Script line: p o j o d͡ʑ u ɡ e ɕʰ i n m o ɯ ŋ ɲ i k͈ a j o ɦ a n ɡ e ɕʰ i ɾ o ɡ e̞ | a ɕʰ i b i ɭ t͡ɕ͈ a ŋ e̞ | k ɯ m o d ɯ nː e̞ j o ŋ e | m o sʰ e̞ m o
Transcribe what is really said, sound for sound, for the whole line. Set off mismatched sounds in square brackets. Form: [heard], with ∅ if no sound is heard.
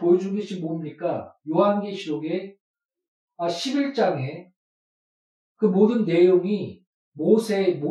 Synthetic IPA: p o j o d͡ʑ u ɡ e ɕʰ i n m o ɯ [m] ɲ i k͈ a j o ɦ a n ɡ e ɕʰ i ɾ o ɡ e̞ | a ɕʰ i b i ɭ t͡ɕ͈ a ŋ e̞ | k ɯ m o d ɯ nː e̞ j o ŋ [i] | m o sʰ e̞ m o